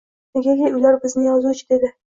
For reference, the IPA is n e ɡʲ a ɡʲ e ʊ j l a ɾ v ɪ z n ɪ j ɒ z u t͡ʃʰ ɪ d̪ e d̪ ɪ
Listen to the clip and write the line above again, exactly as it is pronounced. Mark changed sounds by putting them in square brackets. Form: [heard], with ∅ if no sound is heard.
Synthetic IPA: n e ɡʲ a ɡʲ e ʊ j l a ɾ [b] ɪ z n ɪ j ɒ z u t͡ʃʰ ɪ d̪ e d̪ ɪ